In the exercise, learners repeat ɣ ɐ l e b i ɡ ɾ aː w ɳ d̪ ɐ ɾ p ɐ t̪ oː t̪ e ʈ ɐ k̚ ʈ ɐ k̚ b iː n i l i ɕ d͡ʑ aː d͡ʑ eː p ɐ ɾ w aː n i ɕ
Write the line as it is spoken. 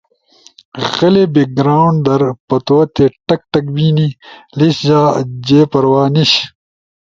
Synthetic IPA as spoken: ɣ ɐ l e b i ɡ ɾ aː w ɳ d̪ ɐ ɾ p ɐ t̪ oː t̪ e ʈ ɐ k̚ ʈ ɐ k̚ b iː n i l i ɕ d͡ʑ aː d͡ʑ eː p ɐ ɾ w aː n i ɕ